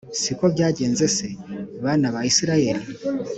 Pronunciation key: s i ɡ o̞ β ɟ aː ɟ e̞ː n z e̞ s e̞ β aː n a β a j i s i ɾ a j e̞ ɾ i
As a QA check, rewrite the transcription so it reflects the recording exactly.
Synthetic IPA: s i k o̞ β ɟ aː ɟ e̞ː n z e̞ s e̞ β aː n a β a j i s i ɾ a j e̞ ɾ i